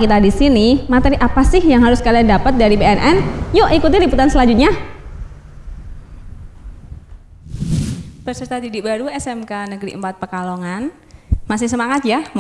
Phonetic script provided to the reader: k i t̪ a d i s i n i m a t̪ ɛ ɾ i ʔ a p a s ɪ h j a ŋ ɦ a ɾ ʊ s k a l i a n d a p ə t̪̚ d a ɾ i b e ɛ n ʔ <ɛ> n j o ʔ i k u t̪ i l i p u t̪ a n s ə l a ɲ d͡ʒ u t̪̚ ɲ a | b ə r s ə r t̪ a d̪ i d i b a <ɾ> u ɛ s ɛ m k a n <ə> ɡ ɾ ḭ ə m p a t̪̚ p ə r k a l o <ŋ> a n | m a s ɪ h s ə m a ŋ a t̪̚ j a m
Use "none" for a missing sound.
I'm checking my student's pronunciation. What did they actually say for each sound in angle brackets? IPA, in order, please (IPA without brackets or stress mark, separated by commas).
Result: ɛ, ɾ, ə, ŋ